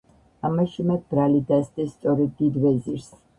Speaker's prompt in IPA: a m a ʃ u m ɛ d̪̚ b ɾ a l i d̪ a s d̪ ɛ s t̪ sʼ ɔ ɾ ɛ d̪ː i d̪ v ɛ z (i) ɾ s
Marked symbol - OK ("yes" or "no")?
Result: yes